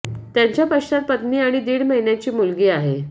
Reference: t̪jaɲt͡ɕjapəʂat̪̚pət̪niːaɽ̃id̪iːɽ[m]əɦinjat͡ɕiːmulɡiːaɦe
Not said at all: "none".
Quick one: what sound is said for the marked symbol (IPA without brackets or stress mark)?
m